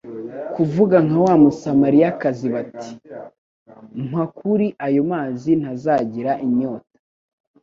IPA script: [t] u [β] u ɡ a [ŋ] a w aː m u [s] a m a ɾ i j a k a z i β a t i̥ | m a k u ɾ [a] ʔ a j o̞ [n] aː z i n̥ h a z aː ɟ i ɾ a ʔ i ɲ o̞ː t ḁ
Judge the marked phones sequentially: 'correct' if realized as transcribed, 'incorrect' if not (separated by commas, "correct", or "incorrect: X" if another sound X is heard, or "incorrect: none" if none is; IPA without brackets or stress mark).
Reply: incorrect: k, incorrect: v, correct, correct, incorrect: i, incorrect: m